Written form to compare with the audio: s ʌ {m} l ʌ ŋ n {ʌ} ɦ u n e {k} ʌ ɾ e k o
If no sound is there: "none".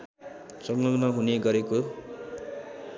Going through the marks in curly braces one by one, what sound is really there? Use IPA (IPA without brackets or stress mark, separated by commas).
ŋ, ʌ, ɡ